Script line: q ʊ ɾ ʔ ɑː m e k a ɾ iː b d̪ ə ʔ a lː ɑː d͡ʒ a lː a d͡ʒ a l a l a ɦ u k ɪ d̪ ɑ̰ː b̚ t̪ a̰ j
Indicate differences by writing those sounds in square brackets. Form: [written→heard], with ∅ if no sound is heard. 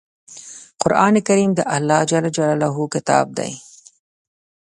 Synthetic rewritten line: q ʊ ɾ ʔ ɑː [m→n] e k a ɾ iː [b→m] d̪ ə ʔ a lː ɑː d͡ʒ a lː a d͡ʒ a l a l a ɦ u k ɪ [d̪→t̪] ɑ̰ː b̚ [t̪→d̪] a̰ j